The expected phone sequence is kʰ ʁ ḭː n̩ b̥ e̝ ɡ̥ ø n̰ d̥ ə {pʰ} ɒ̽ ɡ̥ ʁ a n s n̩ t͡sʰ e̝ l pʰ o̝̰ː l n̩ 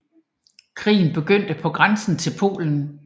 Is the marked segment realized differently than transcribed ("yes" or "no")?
no